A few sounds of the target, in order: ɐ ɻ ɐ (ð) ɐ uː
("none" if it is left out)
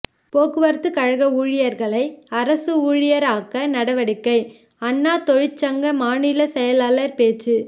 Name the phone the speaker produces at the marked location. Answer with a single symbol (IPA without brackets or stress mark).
ɣ